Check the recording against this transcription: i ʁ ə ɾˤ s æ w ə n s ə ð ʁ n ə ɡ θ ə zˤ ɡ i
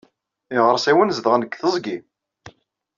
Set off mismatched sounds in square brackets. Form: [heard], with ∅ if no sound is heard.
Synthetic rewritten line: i ʁ ə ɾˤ s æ w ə n [z] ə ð ʁ n ə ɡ θ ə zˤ ɡ i